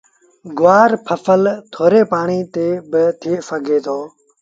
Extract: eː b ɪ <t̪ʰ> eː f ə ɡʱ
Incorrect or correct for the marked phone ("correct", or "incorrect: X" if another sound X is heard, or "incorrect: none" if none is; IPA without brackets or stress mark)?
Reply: correct